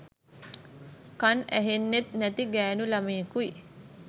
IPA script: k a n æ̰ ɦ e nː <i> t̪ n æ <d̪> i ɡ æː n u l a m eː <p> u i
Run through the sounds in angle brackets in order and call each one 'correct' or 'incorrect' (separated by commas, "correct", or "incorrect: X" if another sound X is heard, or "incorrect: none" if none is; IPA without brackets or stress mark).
incorrect: e, incorrect: t̪, incorrect: k